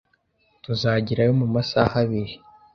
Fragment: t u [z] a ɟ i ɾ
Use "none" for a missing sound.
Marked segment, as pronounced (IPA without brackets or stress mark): z